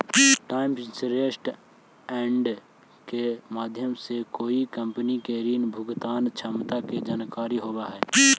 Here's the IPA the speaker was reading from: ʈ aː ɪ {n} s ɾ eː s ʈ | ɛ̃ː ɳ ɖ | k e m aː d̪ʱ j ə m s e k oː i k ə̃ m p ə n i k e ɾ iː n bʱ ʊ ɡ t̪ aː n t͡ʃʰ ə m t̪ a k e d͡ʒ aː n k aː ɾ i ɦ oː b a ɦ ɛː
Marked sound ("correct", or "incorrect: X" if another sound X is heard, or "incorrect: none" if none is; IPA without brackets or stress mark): incorrect: m